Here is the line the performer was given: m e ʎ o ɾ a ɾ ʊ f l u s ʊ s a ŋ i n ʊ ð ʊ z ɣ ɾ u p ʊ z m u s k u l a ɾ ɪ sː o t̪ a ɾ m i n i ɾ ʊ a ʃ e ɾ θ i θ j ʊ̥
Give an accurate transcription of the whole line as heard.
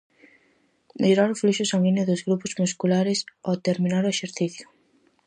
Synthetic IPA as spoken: m e ʎ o ɾ a ɾ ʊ f l u ʃ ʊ s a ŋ i n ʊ ð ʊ z ɣ ɾ u p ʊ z m u s k u l a ɾ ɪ s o t̪ e ɾ m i n a ɾ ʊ e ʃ e ɾ θ i θ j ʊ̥